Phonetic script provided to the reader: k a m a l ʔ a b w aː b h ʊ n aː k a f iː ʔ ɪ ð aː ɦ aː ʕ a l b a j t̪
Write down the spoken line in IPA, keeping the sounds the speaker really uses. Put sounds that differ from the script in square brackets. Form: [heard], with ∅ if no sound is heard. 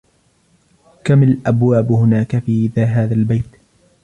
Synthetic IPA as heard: k a m a l ʔ a b w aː b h ʊ n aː k a f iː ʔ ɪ ð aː ɦ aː [ð] a l b a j t̪